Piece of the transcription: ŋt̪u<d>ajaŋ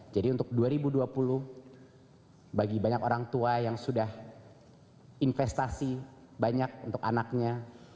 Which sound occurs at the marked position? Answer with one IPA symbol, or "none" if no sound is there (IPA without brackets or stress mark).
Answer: none